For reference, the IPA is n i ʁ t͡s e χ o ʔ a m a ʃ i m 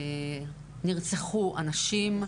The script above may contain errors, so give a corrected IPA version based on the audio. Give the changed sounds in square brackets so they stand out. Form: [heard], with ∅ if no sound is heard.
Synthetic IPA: n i ʁ t͡s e χ [u] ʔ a [n] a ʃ i m